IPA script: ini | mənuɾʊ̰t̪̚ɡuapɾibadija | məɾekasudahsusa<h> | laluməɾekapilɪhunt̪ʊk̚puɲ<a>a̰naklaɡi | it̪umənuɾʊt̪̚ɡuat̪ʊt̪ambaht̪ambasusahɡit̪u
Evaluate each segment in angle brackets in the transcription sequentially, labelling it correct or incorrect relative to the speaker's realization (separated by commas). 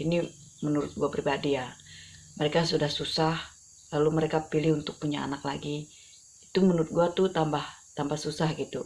correct, correct